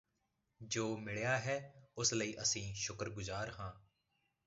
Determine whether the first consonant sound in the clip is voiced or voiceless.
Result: voiced